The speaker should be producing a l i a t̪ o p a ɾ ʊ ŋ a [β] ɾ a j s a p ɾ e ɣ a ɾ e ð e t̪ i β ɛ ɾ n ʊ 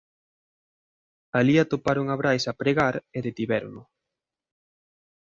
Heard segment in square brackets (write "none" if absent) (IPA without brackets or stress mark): β